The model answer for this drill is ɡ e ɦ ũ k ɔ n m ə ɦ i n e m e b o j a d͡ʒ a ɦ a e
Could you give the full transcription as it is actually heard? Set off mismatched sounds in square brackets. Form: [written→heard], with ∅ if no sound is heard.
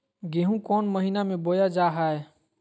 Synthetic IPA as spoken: ɡ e ɦ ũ k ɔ n m ə ɦ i n [e→a] m e b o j a d͡ʒ a ɦ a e